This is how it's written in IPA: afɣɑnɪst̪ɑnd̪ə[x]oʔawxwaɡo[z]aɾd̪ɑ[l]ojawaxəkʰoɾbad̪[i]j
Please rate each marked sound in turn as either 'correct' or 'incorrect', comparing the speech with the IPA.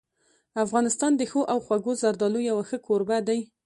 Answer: correct, correct, correct, incorrect

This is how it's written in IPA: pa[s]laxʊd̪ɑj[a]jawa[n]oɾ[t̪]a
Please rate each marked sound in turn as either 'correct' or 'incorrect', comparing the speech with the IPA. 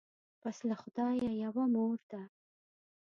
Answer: correct, correct, incorrect, incorrect

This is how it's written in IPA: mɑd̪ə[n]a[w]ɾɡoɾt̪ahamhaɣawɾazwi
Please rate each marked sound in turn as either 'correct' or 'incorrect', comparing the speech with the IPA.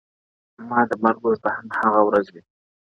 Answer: incorrect, incorrect

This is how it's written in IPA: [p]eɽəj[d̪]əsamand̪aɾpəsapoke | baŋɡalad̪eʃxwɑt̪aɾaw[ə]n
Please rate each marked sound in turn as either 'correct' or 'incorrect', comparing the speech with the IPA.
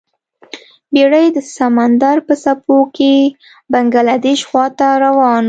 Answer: incorrect, correct, incorrect

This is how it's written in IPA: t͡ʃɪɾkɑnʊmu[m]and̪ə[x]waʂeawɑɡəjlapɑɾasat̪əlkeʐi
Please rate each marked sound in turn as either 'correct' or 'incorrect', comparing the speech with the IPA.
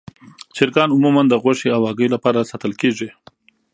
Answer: correct, incorrect

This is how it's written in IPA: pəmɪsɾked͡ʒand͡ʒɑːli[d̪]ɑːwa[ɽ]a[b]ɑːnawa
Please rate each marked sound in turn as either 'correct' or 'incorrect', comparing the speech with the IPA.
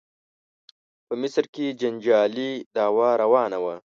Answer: correct, incorrect, incorrect

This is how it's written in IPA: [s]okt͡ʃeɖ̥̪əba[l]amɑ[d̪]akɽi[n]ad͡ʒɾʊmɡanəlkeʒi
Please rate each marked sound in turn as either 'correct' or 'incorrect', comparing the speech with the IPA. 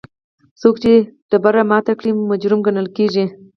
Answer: correct, incorrect, incorrect, incorrect

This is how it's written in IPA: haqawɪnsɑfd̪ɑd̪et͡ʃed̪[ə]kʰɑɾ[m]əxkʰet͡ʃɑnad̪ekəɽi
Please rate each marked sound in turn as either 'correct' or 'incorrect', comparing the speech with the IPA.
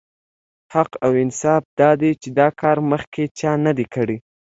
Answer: incorrect, correct

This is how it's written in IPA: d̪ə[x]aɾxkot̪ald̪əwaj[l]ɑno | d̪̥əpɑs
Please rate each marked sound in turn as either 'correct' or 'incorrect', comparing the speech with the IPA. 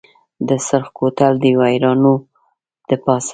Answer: incorrect, incorrect

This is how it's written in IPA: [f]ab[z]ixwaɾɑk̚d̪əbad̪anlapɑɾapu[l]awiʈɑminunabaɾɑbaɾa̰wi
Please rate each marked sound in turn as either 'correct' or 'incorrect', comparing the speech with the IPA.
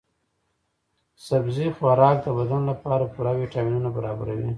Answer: incorrect, correct, incorrect

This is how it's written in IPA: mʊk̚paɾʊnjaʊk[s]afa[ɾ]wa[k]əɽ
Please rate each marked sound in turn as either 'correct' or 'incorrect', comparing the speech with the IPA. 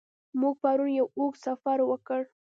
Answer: correct, correct, correct

